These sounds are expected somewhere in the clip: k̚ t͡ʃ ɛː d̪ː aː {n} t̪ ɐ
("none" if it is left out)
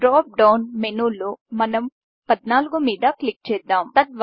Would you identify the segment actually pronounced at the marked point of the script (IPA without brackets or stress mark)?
m